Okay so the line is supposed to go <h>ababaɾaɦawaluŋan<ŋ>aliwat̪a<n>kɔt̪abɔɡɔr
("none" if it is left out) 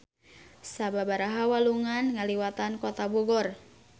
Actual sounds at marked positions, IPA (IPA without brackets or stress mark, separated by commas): s, ŋ, n